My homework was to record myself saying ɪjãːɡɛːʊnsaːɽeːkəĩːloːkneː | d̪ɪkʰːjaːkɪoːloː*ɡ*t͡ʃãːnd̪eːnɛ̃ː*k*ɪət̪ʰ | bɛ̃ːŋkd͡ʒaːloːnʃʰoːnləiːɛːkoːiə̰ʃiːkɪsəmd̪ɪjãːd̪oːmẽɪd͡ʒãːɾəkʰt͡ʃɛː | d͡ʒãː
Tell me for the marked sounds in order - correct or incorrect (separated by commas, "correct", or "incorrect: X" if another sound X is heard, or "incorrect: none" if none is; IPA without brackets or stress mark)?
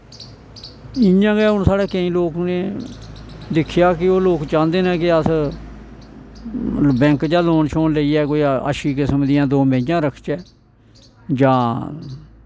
incorrect: k, correct